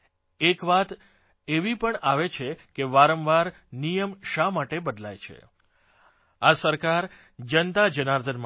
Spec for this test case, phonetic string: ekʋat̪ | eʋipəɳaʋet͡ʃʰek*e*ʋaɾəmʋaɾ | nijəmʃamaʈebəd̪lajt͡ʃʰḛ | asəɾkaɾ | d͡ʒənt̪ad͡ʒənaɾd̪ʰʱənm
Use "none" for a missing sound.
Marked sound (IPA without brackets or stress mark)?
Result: e